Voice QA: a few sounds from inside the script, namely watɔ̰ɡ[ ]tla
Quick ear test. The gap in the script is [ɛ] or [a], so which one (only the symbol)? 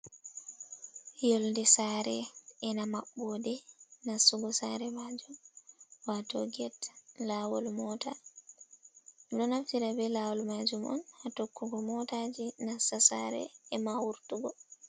ɛ